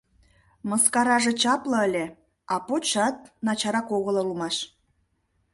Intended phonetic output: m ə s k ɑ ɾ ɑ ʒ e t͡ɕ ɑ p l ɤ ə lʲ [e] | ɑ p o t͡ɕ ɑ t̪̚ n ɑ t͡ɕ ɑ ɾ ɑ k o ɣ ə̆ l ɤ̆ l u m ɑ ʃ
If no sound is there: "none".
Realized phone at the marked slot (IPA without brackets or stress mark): e